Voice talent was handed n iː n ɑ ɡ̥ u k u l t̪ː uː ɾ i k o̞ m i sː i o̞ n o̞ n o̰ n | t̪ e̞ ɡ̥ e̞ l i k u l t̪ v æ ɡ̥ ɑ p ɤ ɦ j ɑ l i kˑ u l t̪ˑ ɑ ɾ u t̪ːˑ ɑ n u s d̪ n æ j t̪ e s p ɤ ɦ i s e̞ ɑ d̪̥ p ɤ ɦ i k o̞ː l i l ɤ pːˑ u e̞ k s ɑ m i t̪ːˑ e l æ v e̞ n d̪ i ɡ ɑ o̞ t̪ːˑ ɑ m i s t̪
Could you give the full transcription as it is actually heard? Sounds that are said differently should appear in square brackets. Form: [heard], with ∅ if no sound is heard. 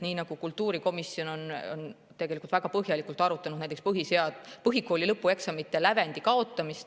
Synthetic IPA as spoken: n iː n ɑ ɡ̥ u k u l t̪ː uː ɾ i k o̞ m i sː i o̞ n o̞ n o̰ n | t̪ e̞ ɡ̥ e̞ l i k u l t̪ v æ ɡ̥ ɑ p ɤ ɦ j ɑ l i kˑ u l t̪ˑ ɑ ɾ u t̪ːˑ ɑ n u [∅] d̪ n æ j t̪ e s p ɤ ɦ i s e̞ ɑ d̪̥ p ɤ ɦ i k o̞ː l i l ɤ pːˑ u e̞ k s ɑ m i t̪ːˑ e l æ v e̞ n d̪ i [k] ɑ o̞ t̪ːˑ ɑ m i s t̪